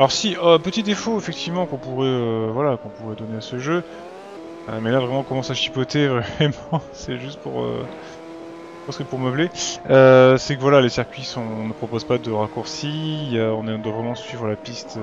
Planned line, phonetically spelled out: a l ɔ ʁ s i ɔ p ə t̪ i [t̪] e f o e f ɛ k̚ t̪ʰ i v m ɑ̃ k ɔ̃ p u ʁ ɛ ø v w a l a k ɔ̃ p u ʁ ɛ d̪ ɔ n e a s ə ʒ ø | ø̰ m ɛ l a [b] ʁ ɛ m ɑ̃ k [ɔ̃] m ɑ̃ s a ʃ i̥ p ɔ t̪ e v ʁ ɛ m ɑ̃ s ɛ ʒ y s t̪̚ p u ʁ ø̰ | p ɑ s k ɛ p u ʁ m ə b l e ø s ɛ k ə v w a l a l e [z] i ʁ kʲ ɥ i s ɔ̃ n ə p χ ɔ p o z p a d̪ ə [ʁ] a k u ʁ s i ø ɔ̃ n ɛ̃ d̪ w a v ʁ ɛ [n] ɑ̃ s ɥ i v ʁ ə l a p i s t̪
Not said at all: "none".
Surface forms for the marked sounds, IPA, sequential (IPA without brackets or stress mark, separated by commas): d̪, v, ɔ, s, ʁ, m